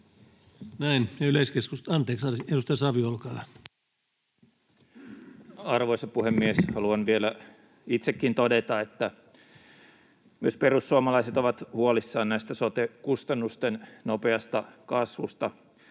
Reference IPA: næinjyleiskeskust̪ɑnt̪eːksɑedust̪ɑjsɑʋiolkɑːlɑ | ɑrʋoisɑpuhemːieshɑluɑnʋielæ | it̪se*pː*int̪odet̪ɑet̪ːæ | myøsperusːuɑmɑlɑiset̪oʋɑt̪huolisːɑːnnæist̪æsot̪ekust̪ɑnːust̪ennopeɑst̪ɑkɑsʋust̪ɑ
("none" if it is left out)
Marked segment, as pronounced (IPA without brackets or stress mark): kː